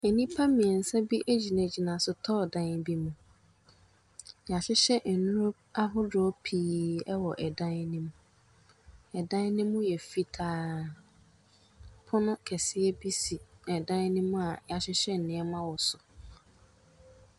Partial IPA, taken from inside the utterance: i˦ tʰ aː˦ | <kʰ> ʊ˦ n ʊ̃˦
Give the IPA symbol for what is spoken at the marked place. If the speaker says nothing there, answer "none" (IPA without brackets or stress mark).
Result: pʰ